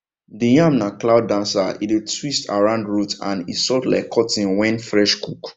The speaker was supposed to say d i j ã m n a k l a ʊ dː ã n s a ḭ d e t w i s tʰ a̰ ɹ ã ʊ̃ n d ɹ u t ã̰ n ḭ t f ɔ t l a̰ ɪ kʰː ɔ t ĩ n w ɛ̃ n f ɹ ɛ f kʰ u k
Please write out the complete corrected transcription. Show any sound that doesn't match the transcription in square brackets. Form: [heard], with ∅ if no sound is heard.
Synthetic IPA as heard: d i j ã m n a k l a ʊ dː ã n s a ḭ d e t w i s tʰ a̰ ɹ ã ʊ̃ n d ɹ u t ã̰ n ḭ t [s] ɔ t l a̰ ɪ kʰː ɔ t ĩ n w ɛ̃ n f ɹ ɛ [ʃ] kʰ u k